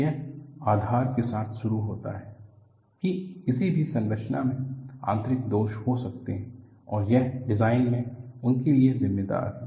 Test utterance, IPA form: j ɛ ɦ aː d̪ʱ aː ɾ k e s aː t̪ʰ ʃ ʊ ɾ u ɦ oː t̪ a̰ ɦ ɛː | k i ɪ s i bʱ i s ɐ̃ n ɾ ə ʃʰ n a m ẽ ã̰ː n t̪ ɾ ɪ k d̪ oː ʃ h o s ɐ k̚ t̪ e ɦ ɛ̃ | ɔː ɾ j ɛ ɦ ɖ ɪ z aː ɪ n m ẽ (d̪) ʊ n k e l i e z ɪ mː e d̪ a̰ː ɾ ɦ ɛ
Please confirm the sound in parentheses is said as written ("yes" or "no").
no